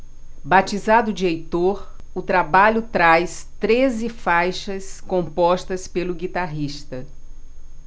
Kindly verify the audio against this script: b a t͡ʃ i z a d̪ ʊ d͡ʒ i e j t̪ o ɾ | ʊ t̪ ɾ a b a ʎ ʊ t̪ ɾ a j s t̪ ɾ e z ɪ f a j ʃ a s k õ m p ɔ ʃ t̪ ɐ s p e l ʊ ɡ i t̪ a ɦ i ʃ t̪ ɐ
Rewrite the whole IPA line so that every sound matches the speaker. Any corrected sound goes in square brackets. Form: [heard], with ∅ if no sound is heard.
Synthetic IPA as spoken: b a t͡ʃ i z a d̪ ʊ d͡ʒ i e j t̪ o ɾ | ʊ t̪ ɾ a b a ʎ ʊ t̪ ɾ a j s t̪ ɾ e z ɪ f a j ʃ [ɐ] s k õ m p ɔ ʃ t̪ ɐ s p e l ʊ ɡ i t̪ a ɦ i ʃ t̪ ɐ